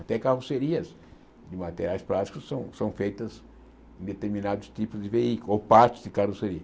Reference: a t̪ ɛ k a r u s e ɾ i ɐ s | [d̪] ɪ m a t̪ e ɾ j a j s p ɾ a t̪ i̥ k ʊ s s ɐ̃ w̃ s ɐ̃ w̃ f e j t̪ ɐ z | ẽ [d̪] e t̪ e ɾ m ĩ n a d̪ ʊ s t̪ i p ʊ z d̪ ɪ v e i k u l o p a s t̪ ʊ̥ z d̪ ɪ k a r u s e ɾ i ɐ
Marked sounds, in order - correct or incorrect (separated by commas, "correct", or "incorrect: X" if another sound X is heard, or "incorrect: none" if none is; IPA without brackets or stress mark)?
correct, correct